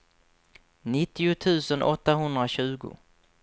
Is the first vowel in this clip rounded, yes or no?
no